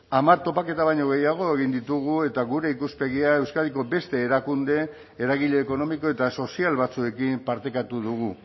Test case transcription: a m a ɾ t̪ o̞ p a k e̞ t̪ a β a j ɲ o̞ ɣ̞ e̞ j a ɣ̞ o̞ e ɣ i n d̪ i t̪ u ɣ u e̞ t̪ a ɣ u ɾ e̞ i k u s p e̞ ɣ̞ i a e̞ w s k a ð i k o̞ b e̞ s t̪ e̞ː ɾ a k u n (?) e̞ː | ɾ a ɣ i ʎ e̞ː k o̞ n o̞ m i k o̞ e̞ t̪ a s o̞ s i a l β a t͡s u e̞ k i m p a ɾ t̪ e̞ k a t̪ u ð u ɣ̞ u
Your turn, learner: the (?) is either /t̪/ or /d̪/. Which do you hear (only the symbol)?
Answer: d̪